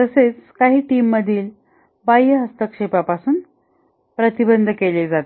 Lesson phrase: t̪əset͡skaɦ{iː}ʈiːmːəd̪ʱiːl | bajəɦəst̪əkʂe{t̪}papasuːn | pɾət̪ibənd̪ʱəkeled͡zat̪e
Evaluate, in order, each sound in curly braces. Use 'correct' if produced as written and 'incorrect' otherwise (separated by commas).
correct, incorrect